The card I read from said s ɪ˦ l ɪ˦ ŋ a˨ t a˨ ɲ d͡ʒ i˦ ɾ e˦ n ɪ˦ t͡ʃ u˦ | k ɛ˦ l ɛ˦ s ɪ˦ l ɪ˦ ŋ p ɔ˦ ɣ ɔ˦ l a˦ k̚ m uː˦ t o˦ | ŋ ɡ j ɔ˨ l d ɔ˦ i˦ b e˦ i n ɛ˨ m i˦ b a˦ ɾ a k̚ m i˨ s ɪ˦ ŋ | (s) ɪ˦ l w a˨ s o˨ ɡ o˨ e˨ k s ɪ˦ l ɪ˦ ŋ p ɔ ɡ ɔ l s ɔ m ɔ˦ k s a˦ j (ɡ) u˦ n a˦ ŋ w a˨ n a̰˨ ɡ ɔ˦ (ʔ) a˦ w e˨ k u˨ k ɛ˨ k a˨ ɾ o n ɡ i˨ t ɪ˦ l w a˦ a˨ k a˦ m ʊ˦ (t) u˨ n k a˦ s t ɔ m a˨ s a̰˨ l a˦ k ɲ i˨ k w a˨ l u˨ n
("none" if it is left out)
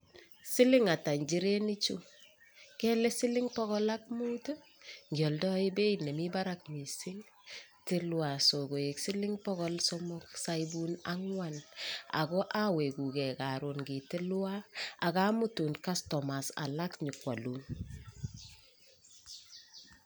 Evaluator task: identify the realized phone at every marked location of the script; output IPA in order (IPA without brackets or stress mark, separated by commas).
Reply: t, b, ʔ, t